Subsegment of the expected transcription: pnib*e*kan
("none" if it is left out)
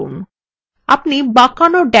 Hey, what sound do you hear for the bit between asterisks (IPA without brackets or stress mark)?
a